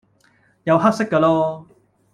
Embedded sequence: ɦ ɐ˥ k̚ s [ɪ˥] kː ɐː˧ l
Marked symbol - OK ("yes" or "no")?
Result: yes